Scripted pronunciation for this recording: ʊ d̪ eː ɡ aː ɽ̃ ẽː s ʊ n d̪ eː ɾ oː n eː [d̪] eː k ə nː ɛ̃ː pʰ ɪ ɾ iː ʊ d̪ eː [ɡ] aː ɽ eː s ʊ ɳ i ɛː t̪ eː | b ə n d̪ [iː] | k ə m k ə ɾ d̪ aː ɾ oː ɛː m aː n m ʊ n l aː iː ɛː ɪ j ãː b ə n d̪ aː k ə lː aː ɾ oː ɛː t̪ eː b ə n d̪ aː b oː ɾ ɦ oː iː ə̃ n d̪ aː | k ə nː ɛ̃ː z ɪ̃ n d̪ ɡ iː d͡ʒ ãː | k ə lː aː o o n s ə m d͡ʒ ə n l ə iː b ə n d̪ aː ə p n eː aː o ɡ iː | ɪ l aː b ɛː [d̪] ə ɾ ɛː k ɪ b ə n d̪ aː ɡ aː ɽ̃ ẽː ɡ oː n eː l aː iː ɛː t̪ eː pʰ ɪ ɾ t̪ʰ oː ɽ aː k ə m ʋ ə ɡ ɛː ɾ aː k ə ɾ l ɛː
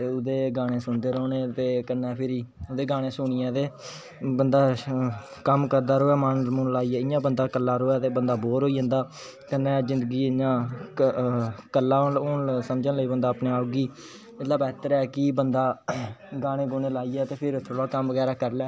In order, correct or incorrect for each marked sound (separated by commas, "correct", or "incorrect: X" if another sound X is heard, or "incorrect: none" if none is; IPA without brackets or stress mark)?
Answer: incorrect: t̪, correct, incorrect: aː, incorrect: t̪